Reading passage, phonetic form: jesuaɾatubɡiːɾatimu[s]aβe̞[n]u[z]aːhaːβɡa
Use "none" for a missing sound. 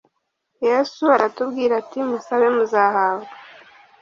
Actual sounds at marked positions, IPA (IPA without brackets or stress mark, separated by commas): s, m, z